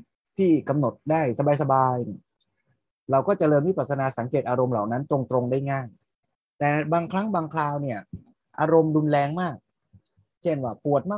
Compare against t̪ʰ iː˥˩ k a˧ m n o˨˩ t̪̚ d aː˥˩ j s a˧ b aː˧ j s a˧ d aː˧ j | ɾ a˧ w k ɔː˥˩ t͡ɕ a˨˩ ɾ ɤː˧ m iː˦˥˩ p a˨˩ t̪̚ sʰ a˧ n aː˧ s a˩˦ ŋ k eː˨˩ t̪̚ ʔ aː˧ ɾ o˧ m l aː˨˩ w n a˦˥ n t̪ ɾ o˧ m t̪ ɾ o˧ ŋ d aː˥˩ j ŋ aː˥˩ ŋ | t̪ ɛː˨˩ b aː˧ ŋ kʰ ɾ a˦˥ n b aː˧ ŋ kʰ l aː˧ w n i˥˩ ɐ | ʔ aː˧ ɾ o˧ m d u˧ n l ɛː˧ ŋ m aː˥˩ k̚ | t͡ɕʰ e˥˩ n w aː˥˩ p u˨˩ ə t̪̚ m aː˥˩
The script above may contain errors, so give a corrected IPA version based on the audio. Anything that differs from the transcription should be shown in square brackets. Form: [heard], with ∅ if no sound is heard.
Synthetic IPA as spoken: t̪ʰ iː˥˩ k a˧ m n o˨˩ t̪̚ d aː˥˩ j s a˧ b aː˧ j s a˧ [b] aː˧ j | ɾ a˧ w k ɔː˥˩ t͡ɕ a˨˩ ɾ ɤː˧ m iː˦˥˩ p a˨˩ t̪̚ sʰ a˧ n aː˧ s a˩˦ ŋ k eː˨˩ t̪̚ ʔ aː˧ ɾ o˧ m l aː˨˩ w n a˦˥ n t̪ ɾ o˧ [ŋ] t̪ ɾ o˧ ŋ d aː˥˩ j ŋ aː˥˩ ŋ | t̪ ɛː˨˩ b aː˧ ŋ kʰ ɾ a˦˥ [ŋ] b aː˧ ŋ kʰ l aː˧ w n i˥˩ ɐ | ʔ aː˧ ɾ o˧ m d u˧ n l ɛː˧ ŋ m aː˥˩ k̚ | t͡ɕʰ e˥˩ n w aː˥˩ p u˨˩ ə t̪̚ m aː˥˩